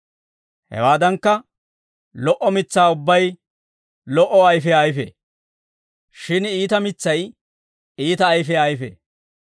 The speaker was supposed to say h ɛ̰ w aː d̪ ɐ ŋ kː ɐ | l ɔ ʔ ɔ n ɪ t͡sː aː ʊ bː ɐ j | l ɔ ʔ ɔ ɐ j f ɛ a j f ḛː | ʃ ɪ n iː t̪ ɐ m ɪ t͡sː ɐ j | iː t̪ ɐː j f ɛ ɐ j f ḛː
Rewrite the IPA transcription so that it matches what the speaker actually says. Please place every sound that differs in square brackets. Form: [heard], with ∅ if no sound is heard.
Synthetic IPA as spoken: h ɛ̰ w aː d̪ ɐ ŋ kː ɐ | l ɔ ʔ ɔ [m] ɪ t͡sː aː ʊ bː ɐ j | l ɔ ʔ ɔ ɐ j f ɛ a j f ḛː | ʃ ɪ n iː t̪ ɐ m ɪ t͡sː ɐ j | iː t̪ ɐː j f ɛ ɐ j f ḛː